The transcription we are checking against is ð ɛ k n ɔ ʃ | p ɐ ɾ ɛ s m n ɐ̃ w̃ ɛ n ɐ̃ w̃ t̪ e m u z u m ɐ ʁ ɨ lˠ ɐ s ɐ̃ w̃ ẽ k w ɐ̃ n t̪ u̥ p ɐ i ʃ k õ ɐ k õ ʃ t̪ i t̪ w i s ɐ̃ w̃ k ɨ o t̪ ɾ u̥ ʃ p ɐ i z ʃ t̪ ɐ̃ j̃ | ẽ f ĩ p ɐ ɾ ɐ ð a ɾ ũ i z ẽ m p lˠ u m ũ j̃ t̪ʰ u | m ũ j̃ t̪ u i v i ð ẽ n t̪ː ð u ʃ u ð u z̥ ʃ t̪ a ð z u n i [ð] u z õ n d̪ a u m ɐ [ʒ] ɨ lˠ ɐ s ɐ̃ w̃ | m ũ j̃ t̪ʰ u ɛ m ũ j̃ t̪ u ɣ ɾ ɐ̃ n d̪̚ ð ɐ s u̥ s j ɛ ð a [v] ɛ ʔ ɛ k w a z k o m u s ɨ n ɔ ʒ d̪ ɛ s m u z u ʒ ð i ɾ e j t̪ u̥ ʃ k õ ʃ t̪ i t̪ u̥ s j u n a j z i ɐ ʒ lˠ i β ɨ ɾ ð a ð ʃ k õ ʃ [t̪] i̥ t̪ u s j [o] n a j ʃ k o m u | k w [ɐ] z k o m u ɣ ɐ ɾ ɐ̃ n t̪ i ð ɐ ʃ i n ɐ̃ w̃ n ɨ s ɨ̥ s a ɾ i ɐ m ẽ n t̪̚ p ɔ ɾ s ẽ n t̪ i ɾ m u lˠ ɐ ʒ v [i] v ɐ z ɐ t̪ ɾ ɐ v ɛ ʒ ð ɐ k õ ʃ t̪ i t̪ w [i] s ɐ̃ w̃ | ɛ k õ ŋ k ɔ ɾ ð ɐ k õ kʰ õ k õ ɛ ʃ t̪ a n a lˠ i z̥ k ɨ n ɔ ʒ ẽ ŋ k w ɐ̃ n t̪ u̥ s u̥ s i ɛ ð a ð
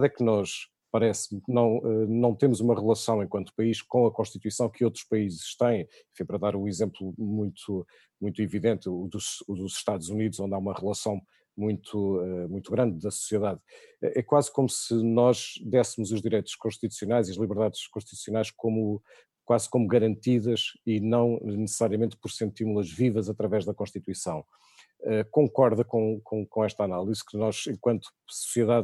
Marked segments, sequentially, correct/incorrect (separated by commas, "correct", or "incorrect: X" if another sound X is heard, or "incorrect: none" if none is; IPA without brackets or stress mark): correct, incorrect: ʁ, incorrect: ð, correct, incorrect: u, incorrect: a, correct, correct